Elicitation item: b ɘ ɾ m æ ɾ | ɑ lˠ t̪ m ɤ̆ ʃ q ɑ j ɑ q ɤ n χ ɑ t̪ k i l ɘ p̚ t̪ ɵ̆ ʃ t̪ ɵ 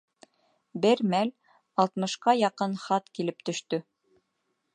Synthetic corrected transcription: b ɘ ɾ m æ l | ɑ lˠ t̪ m ɤ̆ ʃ q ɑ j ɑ q ɤ n χ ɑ t̪ k i l ɘ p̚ t̪ ɵ̆ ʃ t̪ ɵ